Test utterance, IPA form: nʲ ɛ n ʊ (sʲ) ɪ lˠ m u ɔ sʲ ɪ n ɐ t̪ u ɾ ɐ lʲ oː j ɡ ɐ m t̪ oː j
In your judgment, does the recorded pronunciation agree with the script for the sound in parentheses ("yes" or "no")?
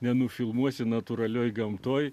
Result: no